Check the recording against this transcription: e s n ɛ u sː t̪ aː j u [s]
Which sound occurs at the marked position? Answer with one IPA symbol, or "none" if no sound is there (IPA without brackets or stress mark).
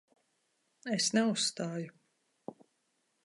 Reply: none